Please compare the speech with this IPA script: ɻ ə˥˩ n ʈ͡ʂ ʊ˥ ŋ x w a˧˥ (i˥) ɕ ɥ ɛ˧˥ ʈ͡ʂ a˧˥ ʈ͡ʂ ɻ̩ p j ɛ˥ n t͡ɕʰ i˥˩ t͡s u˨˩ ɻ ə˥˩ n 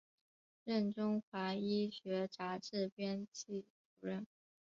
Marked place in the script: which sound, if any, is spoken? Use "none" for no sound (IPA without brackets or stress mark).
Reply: i˥